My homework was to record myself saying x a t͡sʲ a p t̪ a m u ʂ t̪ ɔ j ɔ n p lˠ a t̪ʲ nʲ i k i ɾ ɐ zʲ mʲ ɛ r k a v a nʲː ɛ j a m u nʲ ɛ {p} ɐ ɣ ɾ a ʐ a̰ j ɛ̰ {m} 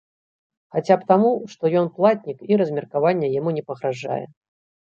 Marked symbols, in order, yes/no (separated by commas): yes, no